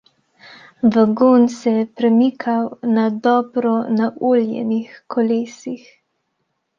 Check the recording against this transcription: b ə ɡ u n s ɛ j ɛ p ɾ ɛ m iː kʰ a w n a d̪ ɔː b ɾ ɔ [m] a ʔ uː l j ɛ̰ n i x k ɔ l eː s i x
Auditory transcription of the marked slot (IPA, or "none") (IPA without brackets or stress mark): n